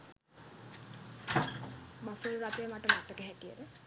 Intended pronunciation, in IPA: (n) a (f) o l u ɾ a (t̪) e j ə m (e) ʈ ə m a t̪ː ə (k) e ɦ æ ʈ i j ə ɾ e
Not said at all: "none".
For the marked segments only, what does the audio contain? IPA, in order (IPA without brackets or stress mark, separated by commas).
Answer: m, f, t̪, a, k